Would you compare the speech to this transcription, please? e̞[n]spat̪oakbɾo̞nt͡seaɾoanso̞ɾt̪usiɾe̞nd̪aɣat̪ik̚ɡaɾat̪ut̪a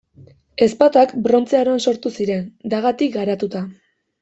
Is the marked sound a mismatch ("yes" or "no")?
yes